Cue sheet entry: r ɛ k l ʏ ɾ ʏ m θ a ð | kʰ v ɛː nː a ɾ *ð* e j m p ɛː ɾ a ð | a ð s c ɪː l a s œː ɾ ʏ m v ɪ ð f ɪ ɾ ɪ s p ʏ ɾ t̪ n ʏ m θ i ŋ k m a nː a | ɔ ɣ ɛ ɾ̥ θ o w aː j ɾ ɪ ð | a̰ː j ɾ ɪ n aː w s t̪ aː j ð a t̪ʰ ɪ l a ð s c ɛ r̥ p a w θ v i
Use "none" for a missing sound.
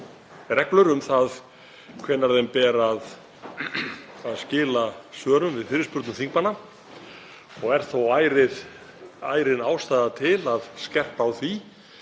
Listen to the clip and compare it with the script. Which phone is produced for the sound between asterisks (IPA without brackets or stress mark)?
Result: ð